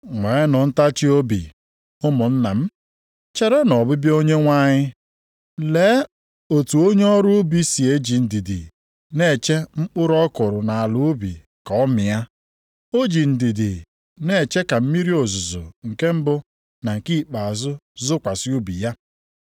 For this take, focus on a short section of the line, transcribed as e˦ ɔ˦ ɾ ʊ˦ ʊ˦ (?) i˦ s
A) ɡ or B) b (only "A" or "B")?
B